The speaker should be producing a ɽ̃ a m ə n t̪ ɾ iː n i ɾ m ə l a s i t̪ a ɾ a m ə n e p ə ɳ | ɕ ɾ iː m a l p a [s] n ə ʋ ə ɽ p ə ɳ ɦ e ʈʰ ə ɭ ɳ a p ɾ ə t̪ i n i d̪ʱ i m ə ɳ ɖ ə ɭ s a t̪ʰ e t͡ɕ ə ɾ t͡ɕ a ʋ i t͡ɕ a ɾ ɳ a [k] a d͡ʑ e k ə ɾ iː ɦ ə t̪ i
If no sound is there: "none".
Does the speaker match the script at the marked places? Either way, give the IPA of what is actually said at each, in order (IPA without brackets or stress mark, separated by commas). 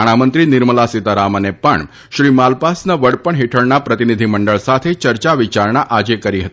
s, ʔ